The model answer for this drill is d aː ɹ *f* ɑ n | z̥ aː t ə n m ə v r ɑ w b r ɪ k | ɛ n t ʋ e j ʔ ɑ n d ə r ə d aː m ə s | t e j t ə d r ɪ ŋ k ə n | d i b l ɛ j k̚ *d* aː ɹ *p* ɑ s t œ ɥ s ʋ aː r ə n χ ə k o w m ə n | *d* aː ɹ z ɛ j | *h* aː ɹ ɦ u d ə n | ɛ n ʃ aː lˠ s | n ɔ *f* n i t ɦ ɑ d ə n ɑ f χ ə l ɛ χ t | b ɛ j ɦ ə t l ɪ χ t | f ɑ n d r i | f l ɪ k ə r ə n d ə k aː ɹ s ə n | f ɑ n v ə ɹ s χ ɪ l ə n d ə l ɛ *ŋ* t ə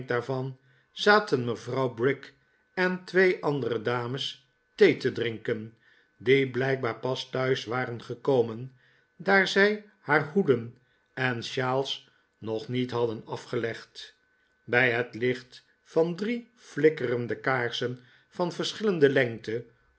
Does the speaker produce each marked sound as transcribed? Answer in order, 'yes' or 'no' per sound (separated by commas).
no, no, yes, yes, yes, no, yes